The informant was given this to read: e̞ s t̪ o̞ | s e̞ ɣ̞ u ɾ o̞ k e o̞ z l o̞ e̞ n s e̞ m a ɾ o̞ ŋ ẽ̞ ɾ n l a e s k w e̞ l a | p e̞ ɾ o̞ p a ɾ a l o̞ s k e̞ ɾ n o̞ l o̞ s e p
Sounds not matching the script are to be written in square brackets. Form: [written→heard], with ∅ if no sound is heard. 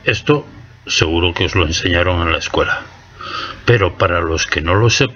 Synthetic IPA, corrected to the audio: e̞ s t̪ o̞ | s e̞ ɣ̞ u ɾ o̞ k e o̞ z l o̞ e̞ n s e̞ [m→ɲ] a ɾ o̞ ŋ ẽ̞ [ɾ→∅] n l a e s k w e̞ l a | p e̞ ɾ o̞ p a ɾ a l o̞ s k e̞ [ɾ→∅] n o̞ l o̞ s e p